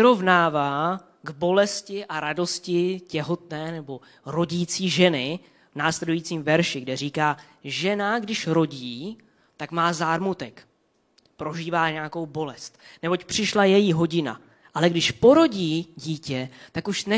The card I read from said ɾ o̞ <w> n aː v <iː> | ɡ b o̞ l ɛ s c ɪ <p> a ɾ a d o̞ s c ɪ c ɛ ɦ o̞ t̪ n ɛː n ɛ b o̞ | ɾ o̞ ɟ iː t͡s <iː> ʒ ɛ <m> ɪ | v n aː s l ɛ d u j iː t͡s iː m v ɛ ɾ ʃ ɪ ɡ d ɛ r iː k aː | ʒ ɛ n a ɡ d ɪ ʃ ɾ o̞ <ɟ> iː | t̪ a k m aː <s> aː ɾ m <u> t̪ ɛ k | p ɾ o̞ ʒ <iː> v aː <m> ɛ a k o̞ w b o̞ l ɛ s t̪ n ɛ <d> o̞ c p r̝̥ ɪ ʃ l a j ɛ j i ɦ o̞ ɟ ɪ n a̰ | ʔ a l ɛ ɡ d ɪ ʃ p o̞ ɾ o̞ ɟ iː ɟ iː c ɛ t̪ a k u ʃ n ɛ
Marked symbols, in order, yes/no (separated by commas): no, no, no, yes, no, yes, no, yes, yes, no, no